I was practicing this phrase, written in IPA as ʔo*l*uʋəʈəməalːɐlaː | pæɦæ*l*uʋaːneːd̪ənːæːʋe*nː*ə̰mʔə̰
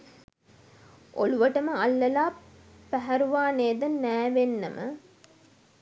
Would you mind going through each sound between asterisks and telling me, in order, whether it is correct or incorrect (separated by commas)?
correct, incorrect, correct